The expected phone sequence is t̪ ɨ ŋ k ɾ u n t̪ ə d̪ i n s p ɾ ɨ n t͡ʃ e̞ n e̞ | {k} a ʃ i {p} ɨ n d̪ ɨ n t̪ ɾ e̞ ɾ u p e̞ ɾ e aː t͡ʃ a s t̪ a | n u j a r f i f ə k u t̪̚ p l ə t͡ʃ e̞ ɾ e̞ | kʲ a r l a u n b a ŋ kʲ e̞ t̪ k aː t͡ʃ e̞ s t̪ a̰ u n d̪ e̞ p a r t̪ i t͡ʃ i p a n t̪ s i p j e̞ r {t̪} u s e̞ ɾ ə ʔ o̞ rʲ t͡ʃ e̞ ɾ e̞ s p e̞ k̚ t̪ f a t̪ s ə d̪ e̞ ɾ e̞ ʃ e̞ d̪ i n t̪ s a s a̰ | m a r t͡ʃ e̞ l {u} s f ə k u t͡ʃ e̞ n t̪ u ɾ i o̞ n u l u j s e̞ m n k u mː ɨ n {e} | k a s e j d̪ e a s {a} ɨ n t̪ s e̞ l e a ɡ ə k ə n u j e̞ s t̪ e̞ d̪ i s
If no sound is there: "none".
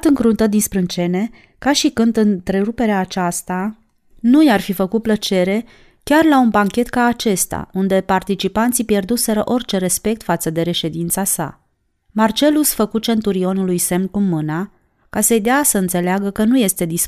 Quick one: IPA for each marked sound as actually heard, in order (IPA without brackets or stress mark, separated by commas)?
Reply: k, k, d̪, u, a, ə